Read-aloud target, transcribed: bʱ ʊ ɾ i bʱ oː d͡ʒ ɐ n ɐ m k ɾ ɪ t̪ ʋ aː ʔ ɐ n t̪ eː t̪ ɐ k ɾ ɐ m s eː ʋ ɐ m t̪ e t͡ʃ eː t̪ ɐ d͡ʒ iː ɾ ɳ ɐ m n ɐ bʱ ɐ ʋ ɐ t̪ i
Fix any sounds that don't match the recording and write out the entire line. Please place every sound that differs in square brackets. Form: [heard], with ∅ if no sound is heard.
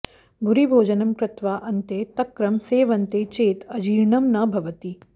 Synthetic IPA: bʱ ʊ ɾ i bʱ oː d͡ʒ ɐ n ɐ m k ɾ ɪ t̪ ʋ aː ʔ ɐ n t̪ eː t̪ ɐ k ɾ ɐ m s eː ʋ ɐ [n] t̪ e t͡ʃ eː t̪ ɐ d͡ʒ iː ɾ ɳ ɐ m n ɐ bʱ ɐ ʋ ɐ t̪ i